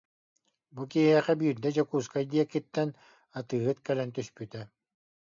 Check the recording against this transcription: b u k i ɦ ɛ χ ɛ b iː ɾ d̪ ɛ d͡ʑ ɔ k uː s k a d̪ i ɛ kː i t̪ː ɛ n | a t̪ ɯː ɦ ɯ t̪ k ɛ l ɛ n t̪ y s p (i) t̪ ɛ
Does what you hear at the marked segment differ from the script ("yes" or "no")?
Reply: yes